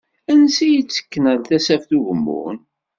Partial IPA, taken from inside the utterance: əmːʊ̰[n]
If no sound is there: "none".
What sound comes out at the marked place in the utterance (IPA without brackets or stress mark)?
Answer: n